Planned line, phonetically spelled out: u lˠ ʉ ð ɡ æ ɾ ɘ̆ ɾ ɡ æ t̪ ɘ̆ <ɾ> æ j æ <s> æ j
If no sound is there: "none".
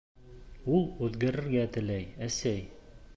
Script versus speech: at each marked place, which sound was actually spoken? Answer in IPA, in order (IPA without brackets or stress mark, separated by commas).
l, s